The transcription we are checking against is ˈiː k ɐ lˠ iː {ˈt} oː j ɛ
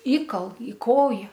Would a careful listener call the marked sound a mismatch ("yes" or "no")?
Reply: yes